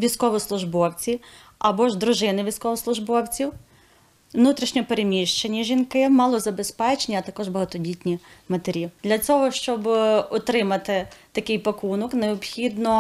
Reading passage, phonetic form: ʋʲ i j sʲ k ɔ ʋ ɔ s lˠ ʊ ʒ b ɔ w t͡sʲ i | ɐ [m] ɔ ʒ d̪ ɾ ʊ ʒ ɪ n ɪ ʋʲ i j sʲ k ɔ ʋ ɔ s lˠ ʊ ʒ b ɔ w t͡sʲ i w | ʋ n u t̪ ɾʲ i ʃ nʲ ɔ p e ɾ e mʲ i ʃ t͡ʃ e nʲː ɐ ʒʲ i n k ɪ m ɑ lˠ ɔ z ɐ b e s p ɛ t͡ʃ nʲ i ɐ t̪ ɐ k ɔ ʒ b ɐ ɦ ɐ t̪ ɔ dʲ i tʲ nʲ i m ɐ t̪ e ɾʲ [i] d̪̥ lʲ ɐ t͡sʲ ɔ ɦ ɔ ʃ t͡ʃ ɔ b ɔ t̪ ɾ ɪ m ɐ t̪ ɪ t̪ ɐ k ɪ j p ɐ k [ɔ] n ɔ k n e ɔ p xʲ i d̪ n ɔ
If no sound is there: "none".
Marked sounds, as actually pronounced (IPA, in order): b, i, u

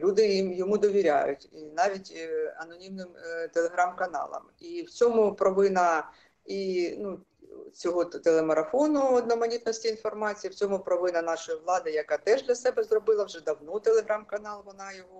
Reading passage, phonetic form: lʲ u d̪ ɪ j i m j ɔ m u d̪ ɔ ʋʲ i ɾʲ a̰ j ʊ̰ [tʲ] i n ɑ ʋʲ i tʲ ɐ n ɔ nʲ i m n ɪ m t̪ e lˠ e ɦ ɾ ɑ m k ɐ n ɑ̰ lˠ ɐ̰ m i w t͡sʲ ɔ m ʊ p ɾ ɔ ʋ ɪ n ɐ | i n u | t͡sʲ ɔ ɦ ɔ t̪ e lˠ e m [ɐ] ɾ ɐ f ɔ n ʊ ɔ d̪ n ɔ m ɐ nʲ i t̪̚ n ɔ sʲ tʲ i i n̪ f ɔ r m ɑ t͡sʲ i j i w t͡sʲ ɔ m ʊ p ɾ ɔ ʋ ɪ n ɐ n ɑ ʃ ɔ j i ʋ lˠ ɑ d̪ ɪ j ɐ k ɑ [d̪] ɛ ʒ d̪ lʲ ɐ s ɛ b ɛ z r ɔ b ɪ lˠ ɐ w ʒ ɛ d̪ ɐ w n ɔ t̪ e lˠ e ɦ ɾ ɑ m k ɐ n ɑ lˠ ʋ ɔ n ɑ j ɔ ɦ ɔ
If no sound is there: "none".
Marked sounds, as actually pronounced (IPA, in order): tʲ, ɐ, t̪

